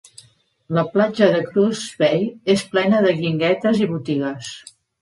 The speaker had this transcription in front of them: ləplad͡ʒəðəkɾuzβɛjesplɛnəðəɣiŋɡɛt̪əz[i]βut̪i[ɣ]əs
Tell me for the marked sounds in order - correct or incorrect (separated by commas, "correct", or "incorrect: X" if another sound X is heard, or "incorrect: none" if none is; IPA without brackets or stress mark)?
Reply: correct, correct